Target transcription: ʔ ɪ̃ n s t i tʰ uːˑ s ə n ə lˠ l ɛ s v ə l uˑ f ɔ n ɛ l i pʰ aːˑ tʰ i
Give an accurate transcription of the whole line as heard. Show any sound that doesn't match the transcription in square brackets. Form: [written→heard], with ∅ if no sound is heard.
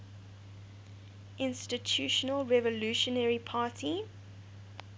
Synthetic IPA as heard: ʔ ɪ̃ n s t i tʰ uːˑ [s→ʃ] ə n ə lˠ [l→ɹ] ɛ [s→∅] v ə l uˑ [f→ʃ] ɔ n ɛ [l→ɹ] i pʰ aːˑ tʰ i